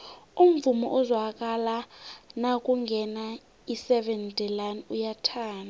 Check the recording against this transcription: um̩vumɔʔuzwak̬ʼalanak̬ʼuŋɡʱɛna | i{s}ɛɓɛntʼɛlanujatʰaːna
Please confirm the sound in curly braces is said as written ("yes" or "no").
yes